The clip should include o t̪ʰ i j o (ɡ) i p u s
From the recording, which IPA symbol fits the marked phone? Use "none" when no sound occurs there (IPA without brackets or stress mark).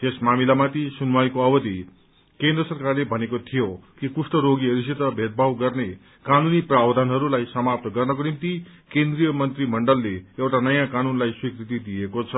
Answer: k